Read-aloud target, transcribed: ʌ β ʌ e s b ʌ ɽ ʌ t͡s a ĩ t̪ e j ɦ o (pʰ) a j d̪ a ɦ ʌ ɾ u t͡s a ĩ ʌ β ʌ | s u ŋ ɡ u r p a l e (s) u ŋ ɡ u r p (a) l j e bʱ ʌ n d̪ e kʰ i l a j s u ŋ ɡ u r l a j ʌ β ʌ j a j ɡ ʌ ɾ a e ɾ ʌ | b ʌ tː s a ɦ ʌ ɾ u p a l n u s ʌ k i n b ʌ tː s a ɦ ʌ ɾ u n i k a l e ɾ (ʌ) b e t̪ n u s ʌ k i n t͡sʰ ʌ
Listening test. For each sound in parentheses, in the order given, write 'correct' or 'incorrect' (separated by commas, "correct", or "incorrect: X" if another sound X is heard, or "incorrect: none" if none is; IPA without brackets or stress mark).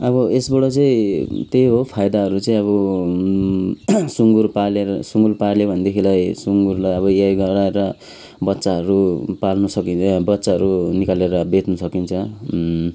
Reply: correct, correct, correct, correct